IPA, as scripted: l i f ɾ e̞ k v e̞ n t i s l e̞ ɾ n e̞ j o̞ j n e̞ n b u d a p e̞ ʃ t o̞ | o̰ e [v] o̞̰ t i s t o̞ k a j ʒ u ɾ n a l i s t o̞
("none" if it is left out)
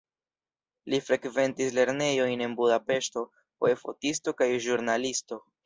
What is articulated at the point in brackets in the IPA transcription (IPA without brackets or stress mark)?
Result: f